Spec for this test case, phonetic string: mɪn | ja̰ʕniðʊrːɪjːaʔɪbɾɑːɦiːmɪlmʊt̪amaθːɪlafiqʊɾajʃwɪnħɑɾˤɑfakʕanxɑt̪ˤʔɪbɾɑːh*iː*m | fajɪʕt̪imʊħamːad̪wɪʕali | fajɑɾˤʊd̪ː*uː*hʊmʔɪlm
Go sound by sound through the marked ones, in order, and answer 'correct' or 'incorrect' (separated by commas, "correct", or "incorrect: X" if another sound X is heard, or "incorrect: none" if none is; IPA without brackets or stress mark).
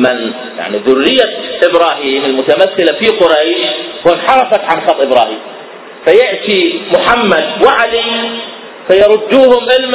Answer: correct, correct